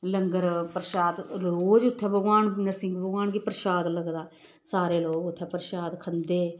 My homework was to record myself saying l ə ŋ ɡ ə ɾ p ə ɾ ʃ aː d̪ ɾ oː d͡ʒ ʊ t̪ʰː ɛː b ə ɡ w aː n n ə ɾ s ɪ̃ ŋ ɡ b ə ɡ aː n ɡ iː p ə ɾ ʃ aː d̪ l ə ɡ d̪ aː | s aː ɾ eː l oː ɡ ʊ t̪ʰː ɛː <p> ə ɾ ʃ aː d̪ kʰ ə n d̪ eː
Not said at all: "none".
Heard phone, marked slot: p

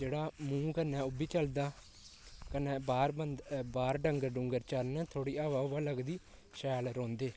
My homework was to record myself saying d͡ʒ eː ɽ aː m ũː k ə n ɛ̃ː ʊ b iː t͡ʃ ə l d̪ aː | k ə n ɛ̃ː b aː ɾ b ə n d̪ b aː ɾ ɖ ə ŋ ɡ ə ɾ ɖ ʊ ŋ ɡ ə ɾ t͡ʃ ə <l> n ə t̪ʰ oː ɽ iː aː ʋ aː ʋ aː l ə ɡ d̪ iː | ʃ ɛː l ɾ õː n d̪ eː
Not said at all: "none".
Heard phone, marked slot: ɾ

